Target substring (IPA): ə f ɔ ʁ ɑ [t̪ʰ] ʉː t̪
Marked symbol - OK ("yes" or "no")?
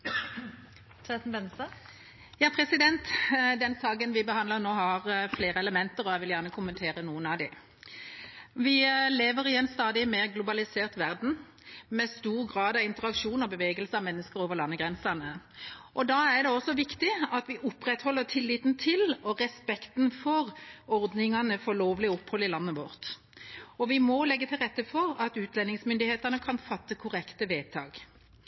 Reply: no